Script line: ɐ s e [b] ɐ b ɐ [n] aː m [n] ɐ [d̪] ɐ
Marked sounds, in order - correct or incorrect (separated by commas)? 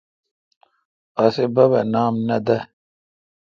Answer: correct, correct, correct, correct